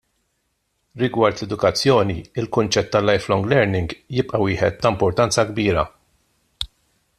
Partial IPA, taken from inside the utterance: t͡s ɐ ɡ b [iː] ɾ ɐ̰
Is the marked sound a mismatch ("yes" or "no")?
no